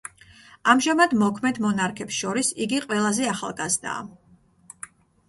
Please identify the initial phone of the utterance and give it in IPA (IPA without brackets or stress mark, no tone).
a